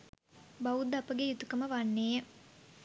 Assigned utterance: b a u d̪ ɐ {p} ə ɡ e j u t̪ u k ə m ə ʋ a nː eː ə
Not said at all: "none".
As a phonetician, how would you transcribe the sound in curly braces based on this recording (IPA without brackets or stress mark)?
p